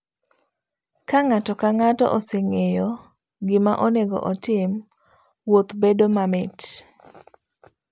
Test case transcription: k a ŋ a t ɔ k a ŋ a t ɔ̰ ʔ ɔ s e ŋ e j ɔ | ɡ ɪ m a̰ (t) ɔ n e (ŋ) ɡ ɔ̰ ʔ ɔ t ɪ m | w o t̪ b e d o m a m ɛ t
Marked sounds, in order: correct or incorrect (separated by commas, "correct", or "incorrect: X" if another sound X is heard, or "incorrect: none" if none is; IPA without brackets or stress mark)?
incorrect: ʔ, incorrect: none